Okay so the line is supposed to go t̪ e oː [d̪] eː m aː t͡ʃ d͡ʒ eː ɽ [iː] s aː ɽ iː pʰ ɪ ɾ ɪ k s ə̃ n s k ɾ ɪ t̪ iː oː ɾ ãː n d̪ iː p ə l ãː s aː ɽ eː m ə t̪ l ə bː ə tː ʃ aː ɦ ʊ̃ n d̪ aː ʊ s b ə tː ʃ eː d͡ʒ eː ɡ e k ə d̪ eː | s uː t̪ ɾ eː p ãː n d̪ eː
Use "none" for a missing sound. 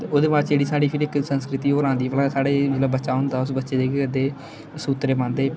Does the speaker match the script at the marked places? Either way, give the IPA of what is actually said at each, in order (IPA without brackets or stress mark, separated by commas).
d̪, iː